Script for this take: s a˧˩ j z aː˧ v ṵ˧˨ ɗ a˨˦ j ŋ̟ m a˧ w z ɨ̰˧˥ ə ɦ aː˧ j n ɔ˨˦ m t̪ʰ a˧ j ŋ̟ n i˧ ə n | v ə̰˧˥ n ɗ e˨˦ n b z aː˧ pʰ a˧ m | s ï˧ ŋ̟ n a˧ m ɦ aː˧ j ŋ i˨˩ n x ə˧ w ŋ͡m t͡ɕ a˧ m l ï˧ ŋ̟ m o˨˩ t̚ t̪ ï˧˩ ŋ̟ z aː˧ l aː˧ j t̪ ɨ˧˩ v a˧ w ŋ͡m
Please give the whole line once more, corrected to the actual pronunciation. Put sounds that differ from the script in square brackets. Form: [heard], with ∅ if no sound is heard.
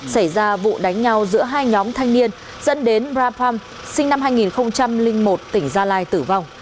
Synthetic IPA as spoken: s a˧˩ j z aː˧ v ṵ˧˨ ɗ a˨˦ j ŋ̟ [ɲ] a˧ w z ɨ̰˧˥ ə ɦ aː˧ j [ɲ] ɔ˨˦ m t̪ʰ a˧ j ŋ̟ n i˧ ə n | [z] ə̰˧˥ n ɗ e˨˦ n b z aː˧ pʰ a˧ m | s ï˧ ŋ̟ n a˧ m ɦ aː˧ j ŋ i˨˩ n x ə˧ w ŋ͡m t͡ɕ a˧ m l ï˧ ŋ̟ m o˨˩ t̚ t̪ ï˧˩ ŋ̟ z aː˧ l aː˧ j t̪ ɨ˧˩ v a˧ w ŋ͡m